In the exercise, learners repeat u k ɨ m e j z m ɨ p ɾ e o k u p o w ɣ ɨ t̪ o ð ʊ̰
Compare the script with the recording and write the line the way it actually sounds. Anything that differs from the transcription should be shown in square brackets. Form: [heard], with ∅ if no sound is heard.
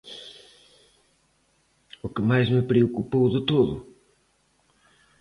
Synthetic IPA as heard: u k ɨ m [a] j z m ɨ p ɾ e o k u p o w [ð] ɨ t̪ o ð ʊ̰